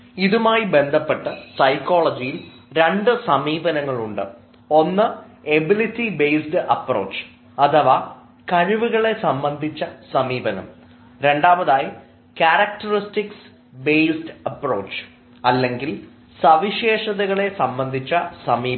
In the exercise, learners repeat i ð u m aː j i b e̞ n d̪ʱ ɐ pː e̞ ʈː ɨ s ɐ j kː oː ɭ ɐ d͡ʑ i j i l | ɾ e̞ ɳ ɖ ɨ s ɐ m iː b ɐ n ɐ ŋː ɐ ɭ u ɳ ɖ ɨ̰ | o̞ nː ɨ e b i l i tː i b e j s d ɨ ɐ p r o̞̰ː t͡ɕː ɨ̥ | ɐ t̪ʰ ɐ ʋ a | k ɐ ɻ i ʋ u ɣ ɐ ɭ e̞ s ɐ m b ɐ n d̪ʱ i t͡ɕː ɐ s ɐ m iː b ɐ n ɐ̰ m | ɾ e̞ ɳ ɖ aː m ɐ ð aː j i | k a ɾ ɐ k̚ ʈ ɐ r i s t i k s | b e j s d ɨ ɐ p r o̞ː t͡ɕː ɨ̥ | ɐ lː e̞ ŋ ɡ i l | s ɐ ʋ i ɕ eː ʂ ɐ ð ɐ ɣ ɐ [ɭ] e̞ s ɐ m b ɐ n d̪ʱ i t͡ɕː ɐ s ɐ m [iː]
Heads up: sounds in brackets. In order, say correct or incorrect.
correct, correct

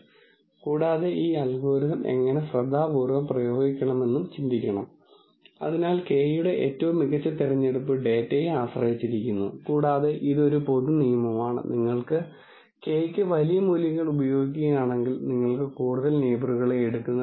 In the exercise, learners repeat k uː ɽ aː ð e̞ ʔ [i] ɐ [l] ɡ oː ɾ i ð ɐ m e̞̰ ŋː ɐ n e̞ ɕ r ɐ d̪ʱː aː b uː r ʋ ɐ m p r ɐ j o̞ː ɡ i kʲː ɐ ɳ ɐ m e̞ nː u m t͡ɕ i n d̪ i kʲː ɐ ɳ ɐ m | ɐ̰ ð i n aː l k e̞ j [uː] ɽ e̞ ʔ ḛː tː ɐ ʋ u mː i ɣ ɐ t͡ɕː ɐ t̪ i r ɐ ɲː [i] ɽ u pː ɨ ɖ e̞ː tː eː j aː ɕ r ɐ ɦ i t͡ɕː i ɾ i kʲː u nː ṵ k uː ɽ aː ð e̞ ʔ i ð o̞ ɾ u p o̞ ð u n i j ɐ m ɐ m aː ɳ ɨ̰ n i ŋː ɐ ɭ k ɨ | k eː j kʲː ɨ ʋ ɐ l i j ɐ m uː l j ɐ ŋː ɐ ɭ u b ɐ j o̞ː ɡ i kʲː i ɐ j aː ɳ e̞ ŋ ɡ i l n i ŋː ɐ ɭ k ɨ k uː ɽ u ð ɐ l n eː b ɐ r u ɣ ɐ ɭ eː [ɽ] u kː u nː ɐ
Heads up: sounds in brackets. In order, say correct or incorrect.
incorrect: iː, correct, incorrect: u, incorrect: e, correct

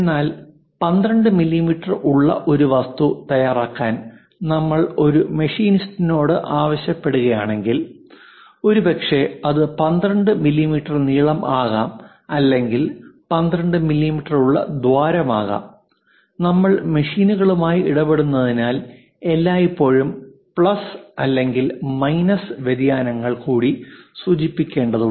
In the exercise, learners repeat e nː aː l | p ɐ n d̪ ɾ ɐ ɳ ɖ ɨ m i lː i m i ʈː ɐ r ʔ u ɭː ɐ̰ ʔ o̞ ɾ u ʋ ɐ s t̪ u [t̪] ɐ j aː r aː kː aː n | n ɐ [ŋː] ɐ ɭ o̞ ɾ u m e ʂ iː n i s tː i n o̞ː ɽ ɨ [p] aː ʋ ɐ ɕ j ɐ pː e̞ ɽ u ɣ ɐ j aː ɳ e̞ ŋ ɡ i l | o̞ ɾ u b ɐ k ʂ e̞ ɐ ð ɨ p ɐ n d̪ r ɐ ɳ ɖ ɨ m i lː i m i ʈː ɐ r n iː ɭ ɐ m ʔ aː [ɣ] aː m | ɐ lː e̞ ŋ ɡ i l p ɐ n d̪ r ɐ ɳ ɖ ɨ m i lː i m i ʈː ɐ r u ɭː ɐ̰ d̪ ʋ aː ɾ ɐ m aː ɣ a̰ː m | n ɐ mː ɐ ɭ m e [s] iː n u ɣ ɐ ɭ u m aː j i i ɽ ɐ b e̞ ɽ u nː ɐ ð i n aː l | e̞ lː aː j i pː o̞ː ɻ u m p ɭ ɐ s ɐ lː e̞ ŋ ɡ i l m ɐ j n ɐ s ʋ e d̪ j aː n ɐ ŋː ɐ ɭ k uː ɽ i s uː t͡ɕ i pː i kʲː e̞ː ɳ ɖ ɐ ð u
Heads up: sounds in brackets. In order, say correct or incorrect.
correct, incorrect: mː, incorrect: ʔ, correct, incorrect: ʂ

